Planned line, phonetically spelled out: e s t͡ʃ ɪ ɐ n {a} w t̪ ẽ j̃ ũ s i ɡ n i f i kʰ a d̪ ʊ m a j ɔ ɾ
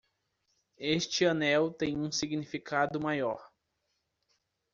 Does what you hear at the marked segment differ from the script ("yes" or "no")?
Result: yes